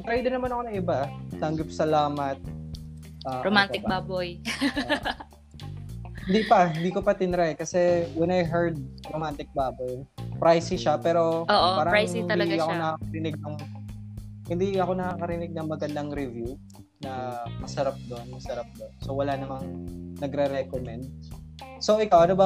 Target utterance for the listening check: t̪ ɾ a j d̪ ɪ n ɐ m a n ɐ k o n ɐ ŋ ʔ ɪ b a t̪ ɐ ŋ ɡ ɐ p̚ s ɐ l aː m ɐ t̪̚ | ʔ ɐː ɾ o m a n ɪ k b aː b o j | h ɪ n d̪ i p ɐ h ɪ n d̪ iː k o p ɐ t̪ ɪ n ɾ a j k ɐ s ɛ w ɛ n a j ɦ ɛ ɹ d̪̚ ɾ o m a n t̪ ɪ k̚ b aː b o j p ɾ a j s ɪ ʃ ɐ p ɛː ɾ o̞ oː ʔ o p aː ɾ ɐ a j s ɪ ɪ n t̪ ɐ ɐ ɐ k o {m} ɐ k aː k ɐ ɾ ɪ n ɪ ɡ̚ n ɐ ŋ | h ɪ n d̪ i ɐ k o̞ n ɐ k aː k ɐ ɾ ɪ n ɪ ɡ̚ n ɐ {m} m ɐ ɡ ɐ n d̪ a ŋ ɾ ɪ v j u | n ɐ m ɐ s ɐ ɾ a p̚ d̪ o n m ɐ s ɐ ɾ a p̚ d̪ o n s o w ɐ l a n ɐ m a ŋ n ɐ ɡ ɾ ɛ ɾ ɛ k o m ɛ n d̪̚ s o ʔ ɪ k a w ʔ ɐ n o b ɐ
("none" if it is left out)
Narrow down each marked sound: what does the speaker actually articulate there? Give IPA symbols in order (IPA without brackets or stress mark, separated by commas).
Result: n, ŋ